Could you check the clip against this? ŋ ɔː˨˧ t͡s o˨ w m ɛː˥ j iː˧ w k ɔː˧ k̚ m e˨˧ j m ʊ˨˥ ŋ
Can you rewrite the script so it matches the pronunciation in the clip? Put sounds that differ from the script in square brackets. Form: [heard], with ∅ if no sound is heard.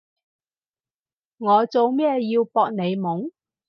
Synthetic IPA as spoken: ŋ ɔː˨˧ t͡s o˨ w m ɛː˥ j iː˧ w [p] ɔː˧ k̚ [n] e˨˧ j m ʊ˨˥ ŋ